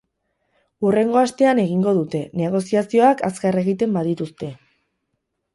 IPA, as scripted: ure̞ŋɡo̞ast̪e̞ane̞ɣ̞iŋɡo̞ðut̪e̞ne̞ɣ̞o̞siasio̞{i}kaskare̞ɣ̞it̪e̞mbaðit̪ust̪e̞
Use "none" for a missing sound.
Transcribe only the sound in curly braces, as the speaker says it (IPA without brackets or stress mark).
a